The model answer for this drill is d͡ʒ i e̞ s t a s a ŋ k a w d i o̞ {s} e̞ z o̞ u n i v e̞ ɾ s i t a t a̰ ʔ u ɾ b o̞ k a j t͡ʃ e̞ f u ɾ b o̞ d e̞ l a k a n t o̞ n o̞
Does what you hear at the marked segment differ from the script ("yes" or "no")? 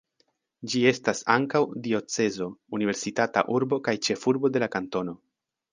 yes